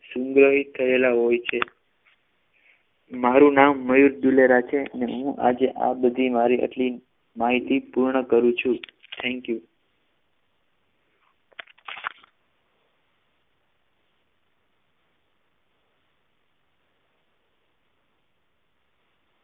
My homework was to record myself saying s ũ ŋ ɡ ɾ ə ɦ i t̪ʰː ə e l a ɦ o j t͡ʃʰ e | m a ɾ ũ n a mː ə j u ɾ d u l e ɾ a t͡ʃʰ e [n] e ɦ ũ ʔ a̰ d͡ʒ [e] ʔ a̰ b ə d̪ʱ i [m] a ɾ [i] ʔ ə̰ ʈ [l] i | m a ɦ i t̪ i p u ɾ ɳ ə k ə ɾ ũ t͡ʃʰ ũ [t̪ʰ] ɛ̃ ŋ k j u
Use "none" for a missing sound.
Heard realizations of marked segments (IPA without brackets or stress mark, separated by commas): n, e, m, i, l, t̪ʰ